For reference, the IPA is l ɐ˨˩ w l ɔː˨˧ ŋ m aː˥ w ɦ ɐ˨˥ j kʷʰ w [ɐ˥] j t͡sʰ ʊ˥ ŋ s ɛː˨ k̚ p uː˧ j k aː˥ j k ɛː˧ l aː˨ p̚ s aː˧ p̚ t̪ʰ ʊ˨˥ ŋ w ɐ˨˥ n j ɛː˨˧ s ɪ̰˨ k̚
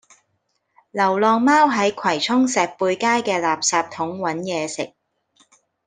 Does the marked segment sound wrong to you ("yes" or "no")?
yes